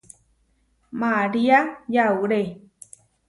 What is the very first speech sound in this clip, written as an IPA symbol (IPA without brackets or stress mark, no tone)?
m